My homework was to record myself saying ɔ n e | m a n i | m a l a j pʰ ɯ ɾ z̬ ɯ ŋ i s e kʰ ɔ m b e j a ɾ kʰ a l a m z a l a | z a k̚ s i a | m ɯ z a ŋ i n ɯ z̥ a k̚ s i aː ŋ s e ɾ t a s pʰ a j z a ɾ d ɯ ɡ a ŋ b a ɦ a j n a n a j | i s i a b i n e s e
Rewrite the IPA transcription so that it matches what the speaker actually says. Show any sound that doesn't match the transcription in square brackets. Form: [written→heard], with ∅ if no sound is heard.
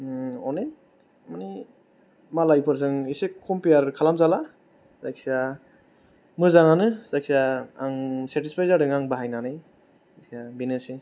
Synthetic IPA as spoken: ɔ n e | m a n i | m a l a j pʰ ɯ ɾ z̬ ɯ ŋ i s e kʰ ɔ m [b→p] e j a ɾ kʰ a l a m z a l a | z a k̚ s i a | m ɯ z a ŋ [i→a] n ɯ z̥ a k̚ s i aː ŋ s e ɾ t [a→i] s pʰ a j z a ɾ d ɯ [ɡ→ŋ] a ŋ b a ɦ a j n a n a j | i s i a b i n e s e

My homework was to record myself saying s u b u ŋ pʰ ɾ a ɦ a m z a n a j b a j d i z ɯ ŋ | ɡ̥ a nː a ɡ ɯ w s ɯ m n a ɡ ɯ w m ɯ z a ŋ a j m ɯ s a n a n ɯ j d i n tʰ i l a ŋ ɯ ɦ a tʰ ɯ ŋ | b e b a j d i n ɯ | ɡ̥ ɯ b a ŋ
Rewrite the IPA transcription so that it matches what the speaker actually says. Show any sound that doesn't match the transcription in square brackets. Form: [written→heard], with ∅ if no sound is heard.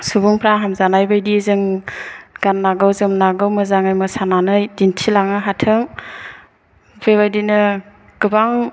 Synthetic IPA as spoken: s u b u ŋ pʰ ɾ a ɦ a m z a n a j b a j d i z ɯ ŋ | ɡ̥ a nː a ɡ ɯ w [s→z] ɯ m n a ɡ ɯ w m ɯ z a ŋ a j m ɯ s a n a n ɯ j d i n tʰ i l a ŋ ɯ ɦ a tʰ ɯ ŋ | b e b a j d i n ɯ | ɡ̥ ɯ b a ŋ

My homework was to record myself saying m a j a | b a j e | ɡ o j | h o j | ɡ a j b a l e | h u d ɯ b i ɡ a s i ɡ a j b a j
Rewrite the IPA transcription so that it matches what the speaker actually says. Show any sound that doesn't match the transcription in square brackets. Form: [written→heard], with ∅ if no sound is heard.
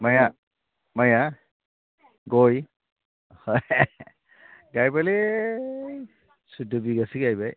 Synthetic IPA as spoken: m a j a | [b→m] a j [e→a] | ɡ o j | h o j | ɡ a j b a l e | [h→s] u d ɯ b i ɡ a s i ɡ a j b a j

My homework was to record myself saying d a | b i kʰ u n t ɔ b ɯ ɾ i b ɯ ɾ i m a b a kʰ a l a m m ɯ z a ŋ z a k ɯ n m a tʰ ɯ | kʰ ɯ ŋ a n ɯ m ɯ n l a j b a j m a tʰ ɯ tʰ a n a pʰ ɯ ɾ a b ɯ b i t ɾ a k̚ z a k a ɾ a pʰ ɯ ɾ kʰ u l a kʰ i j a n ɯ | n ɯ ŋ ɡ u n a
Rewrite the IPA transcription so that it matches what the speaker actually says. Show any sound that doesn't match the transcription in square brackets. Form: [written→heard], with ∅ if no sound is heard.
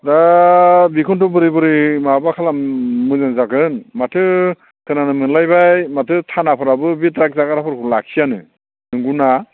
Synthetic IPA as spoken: d a | b i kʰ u n t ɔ b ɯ ɾ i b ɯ ɾ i m a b a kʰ a l a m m ɯ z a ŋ z a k ɯ n m a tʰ ɯ | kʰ ɯ [ŋ→n] a n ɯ m ɯ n l a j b a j m a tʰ ɯ tʰ a n a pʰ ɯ ɾ a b ɯ b i t ɾ a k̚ z a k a ɾ a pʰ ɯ ɾ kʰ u l a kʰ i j a n ɯ | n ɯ ŋ ɡ u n a

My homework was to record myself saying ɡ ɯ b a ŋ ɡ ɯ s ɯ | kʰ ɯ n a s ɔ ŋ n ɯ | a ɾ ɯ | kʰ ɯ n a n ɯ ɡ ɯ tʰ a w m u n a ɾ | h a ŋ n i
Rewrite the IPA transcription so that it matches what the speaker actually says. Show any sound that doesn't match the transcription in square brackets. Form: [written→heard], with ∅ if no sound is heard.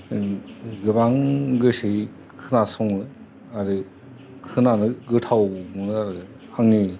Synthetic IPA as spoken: ɡ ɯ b a ŋ ɡ ɯ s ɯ | kʰ ɯ n a s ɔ ŋ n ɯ | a ɾ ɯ | kʰ ɯ n a n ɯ ɡ ɯ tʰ a w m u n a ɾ | h a ŋ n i

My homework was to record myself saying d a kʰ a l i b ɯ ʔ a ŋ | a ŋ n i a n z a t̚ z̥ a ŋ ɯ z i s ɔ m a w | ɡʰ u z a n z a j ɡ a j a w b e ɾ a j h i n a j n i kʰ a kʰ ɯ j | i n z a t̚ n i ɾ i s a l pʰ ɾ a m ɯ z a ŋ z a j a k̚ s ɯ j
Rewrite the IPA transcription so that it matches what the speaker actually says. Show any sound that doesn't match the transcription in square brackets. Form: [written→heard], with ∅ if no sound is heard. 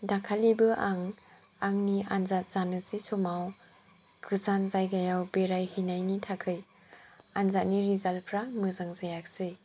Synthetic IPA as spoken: d a kʰ a l i b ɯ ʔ a ŋ | a ŋ n i a n z a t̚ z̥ a [ŋ→n] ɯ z i s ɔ m a w | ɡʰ [u→ɯ] z a n z a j ɡ a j a w b e ɾ a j h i n a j n i [kʰ→tʰ] a kʰ ɯ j | [i→a] n z a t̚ n i ɾ i [s→z] a l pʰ ɾ a m ɯ z a ŋ z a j a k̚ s ɯ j

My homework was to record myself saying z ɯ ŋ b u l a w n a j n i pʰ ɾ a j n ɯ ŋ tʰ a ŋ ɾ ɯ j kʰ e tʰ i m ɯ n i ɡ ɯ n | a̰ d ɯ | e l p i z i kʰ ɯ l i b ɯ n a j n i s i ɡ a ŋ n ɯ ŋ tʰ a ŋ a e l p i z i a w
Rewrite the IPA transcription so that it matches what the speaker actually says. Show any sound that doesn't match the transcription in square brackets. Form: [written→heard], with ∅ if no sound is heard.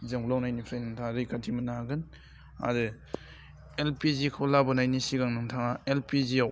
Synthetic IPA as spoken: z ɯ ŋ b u l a w n a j n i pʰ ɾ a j n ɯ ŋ tʰ a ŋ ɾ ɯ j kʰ [e→a] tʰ i m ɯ n [i→a] ɡ ɯ n | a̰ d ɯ | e l p i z i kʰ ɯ l [i→a] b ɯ n a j n i s i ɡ a ŋ n ɯ ŋ tʰ a ŋ a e l p i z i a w

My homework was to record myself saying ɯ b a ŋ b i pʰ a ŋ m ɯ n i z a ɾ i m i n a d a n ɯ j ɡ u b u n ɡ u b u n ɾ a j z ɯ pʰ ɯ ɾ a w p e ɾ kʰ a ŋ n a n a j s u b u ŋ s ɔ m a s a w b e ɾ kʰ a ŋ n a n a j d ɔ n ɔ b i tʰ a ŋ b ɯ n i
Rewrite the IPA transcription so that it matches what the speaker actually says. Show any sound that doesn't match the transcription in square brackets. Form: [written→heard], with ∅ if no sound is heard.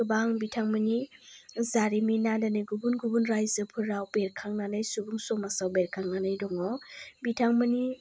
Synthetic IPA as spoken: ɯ b a ŋ b i [pʰ→tʰ] a ŋ m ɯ n i z a ɾ i m i n a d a n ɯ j ɡ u b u n ɡ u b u n ɾ a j z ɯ pʰ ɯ ɾ a w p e ɾ kʰ a ŋ n a n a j s u b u ŋ s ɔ m a s a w b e ɾ kʰ a ŋ n a n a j d ɔ [n→ŋ] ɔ b i tʰ a ŋ [b→m] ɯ n i

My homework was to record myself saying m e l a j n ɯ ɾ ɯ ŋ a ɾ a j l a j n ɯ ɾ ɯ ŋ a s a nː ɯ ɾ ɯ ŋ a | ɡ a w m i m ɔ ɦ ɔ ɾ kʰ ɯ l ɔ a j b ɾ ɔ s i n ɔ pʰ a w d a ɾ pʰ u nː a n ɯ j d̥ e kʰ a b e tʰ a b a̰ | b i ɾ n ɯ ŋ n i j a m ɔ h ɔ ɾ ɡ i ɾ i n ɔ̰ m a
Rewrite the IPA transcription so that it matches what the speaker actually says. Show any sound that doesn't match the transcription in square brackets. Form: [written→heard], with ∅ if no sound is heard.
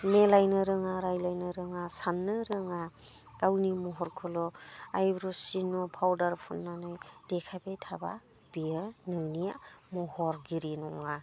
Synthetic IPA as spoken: m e l a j n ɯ ɾ ɯ ŋ a ɾ a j l a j n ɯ ɾ ɯ ŋ a s a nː ɯ ɾ ɯ ŋ a | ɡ a w [m→n] i m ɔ ɦ ɔ ɾ kʰ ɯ l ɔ a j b ɾ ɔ s i n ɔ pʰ a w d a ɾ pʰ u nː a n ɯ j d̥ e kʰ a b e tʰ a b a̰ | b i ɾ n ɯ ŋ n i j a m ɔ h ɔ ɾ ɡ i ɾ i n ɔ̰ [m→ŋ] a

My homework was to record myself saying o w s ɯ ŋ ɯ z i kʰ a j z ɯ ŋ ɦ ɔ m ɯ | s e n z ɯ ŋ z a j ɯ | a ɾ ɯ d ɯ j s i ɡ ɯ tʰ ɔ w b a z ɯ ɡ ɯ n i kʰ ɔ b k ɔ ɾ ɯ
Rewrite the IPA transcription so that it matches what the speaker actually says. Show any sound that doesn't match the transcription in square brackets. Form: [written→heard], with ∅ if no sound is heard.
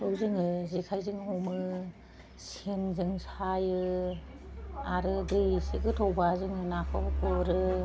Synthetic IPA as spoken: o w [s→z] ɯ ŋ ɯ z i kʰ a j z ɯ ŋ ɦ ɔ m ɯ | s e n z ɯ ŋ [z→s] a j ɯ | a ɾ ɯ d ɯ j s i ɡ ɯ tʰ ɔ w b a z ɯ [ɡ→ŋ] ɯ n [i→a] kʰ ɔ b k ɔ ɾ ɯ

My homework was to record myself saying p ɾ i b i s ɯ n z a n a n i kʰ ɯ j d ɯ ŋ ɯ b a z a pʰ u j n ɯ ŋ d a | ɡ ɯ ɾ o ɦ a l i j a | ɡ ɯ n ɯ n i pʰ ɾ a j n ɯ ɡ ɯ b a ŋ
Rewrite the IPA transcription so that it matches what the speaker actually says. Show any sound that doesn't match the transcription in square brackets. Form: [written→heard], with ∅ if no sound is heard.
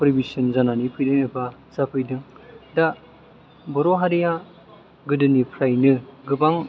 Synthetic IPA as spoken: p ɾ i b i s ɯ n z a n a n i [kʰ→pʰ] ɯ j d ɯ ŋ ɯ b a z a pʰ [u→ɯ] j [n→d] ɯ ŋ d a | [ɡ→b] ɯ ɾ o ɦ a [l→ɾ] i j a | ɡ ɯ [n→d] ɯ n i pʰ ɾ a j n ɯ ɡ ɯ b a ŋ

